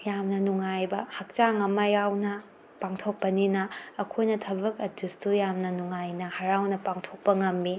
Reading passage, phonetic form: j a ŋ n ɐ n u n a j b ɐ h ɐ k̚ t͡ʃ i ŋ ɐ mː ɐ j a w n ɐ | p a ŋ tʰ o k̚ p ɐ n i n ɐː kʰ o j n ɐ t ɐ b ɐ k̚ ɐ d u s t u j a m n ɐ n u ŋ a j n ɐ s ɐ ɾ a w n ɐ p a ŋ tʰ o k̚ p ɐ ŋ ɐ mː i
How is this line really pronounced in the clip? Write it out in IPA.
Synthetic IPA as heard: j a m n ɐ n u ŋ a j b ɐ h ɐ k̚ t͡ʃ a ŋ ɐ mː ɐ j a w n ɐ | p a ŋ tʰ o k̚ p ɐ n i n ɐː kʰ o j n ɐ tʰ ɐ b ɐ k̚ ɐ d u s t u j a m n ɐ n u ŋ a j n ɐ h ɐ ɾ a w n ɐ p a ŋ tʰ o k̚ p ɐ ŋ ɐ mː i